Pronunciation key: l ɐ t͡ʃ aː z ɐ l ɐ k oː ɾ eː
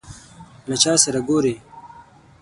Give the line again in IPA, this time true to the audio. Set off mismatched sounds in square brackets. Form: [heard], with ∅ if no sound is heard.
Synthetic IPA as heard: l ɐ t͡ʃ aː [s] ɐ [ɾ] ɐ [ɡ] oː ɾ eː